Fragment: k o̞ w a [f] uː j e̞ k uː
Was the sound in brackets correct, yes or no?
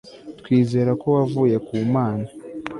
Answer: no